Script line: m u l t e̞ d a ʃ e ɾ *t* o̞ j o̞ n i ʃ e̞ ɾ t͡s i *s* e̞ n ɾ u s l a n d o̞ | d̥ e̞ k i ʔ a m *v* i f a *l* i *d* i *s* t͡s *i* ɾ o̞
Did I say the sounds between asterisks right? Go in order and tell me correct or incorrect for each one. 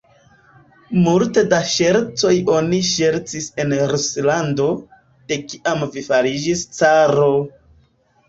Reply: incorrect: t͡s, correct, correct, incorrect: ɾ, incorrect: d͡ʒ, correct, incorrect: a

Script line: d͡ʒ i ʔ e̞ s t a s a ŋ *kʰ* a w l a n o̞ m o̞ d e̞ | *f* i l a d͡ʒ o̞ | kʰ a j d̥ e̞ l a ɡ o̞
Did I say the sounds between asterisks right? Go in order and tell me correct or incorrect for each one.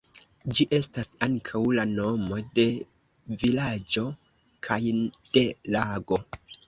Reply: correct, incorrect: v

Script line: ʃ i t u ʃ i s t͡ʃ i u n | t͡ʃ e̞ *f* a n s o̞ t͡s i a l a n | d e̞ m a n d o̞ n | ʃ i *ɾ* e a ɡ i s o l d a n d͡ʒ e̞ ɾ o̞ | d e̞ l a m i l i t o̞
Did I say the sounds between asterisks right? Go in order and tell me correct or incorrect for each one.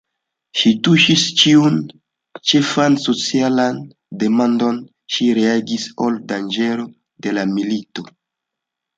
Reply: correct, correct

